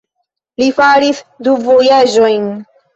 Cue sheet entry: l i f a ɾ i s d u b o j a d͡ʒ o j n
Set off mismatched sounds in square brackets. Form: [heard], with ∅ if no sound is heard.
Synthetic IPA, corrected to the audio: l i f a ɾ i s d u [v] o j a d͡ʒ o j n